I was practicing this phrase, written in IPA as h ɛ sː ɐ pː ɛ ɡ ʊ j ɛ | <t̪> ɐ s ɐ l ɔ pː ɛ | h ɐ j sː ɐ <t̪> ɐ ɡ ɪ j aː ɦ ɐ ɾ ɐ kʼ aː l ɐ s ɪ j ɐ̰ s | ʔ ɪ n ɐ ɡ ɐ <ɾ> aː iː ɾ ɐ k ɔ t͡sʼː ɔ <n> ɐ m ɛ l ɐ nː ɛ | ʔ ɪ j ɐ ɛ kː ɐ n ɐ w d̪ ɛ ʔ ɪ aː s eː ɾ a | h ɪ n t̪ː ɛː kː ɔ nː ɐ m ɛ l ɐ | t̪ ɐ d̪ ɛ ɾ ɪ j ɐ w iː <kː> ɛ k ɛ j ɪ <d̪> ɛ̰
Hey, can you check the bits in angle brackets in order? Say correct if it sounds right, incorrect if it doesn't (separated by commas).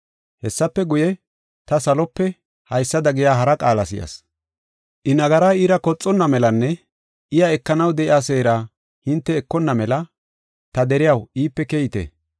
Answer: correct, incorrect, correct, incorrect, incorrect, incorrect